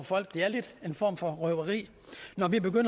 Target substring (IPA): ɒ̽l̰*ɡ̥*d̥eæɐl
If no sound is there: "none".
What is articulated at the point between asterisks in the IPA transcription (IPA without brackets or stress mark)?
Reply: ɡ̥